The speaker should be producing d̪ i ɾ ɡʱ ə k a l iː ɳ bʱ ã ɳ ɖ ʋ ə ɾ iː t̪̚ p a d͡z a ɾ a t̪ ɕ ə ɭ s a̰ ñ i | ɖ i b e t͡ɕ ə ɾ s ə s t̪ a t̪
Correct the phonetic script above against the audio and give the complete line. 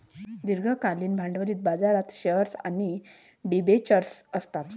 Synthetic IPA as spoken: d̪ i ɾ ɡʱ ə k a l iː n bʱ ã ɳ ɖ ʋ ə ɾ iː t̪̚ b a d͡z a ɾ a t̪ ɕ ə ɾ s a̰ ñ i | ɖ i b e t͡ɕ ə ɾ s ə s t̪ a t̪